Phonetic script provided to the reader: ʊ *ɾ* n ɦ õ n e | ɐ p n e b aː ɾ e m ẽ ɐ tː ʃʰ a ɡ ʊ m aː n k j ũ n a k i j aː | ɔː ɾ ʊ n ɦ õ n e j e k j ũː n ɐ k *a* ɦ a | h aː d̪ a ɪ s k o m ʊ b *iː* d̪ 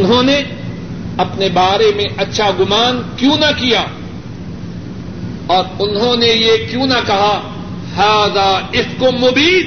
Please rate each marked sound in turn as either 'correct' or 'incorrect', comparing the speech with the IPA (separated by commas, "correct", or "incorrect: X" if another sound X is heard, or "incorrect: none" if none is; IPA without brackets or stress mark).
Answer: incorrect: none, incorrect: ɐ, correct